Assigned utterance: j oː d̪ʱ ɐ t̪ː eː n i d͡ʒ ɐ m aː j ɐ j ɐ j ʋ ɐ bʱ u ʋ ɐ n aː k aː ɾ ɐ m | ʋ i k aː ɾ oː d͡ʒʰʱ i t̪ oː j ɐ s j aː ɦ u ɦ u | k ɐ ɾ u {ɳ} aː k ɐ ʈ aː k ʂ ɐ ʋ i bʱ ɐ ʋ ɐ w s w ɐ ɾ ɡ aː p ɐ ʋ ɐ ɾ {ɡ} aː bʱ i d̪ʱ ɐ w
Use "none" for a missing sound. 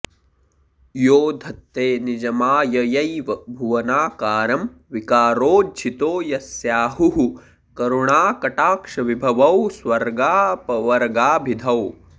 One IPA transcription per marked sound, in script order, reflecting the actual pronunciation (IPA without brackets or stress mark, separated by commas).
ɳ, ɡ